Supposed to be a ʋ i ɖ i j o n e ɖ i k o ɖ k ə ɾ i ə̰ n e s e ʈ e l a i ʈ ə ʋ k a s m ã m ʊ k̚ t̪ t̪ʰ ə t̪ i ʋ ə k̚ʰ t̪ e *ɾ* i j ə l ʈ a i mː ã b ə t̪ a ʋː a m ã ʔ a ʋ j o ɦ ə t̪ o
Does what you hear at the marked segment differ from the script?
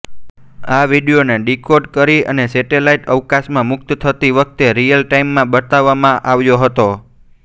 no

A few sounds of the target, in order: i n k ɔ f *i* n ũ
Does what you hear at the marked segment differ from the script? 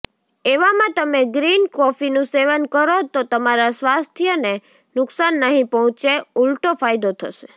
no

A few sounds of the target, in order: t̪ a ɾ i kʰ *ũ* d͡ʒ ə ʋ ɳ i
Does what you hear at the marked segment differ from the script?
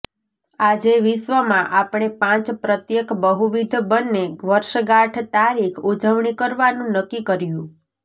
yes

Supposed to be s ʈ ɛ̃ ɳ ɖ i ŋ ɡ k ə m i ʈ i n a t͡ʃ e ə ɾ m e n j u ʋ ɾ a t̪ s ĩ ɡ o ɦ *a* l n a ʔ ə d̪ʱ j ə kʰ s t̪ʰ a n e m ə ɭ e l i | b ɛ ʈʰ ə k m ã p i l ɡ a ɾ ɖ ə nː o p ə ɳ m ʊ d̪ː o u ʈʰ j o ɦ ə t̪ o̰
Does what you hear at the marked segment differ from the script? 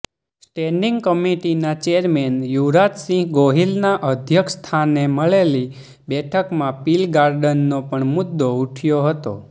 yes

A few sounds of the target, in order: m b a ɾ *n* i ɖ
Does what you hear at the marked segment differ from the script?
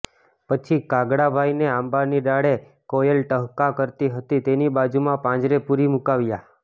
no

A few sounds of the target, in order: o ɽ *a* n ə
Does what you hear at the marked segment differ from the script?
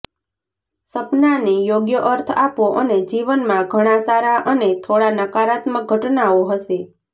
no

